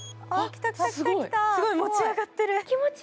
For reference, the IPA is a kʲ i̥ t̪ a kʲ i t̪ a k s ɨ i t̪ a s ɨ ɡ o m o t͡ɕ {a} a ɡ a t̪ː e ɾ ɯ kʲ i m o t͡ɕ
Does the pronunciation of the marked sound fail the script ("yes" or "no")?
yes